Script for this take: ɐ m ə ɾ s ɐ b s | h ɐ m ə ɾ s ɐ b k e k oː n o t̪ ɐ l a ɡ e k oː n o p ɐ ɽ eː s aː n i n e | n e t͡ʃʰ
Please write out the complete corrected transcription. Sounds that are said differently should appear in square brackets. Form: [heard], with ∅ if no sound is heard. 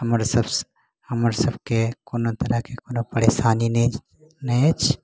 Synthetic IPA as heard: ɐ m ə ɾ s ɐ b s | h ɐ m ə ɾ s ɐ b k e k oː n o t̪ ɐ [ɾ] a [k] e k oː n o p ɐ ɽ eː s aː n i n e | n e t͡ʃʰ